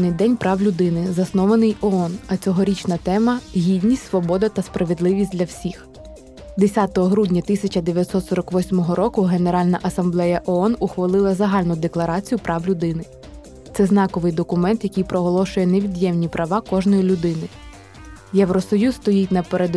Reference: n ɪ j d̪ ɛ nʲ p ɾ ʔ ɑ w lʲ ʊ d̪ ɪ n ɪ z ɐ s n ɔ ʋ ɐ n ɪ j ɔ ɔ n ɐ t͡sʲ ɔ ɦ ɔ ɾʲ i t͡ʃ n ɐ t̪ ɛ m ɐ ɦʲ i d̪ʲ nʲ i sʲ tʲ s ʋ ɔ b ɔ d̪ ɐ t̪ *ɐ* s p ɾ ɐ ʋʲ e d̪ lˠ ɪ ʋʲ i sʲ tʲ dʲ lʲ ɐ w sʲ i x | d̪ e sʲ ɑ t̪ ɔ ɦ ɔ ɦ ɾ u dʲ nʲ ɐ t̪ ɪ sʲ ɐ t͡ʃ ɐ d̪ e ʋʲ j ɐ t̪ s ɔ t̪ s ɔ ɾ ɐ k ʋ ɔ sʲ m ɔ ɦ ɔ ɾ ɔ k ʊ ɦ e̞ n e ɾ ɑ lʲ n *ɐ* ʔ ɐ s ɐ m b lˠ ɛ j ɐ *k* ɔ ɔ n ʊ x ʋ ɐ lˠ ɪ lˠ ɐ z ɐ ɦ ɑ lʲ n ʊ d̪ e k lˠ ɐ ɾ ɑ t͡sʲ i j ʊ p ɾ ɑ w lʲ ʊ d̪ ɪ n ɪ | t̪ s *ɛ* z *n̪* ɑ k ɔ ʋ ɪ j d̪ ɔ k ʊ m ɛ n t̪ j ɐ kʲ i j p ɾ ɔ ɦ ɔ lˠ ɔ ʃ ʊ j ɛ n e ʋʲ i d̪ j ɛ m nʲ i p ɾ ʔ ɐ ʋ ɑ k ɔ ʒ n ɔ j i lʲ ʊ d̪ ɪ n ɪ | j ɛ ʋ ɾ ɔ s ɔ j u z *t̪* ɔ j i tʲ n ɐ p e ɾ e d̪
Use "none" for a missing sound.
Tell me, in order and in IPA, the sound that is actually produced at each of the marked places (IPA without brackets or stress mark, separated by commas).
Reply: ɐ, ɐ, ʔ, ɛ, n̪, t̪